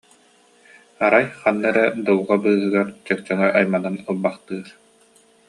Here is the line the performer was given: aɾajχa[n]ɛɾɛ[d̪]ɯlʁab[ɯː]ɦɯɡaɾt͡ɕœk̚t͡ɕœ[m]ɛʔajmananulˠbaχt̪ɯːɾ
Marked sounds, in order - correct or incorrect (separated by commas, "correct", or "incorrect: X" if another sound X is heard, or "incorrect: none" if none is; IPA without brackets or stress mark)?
incorrect: nː, correct, correct, incorrect: ŋ